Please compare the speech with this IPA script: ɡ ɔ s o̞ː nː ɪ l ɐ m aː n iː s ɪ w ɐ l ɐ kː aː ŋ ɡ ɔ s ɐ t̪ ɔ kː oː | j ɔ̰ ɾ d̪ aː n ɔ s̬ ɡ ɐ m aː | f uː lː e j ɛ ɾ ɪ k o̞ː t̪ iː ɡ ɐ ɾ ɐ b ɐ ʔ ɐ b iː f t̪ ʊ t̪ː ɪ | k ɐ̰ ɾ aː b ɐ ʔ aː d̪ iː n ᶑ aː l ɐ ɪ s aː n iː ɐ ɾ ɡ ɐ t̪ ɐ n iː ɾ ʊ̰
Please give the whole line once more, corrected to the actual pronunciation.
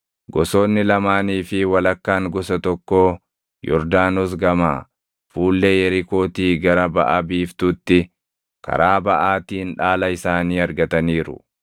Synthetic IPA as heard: ɡ ɔ s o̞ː nː ɪ l ɐ m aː n iː f ɪ w ɐ l ɐ kː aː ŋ ɡ ɔ s ɐ t̪ ɔ kː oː | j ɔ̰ ɾ d̪ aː n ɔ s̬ ɡ ɐ m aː | f uː lː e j ɛ ɾ ɪ k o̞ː t̪ iː ɡ ɐ ɾ ɐ b ɐ ʔ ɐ b iː f t̪ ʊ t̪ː ɪ | k ɐ̰ ɾ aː b ɐ ʔ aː t̪ iː n ᶑ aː l ɐ ɪ s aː n iː ɐ ɾ ɡ ɐ t̪ ɐ n iː ɾ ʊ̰